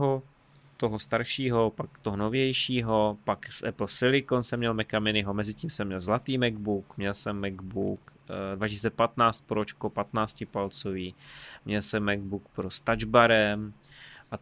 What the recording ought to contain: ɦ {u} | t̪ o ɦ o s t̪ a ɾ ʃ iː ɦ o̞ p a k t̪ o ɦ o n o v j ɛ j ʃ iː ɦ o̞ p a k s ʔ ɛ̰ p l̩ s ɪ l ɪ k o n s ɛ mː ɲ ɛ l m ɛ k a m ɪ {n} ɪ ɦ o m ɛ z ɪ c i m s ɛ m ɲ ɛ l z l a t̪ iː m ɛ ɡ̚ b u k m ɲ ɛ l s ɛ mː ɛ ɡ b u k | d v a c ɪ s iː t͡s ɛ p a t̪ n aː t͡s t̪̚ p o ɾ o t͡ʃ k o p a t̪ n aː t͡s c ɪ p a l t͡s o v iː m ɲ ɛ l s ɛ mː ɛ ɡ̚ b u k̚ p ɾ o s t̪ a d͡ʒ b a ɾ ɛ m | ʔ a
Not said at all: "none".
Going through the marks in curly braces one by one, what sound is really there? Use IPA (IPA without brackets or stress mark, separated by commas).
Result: o, n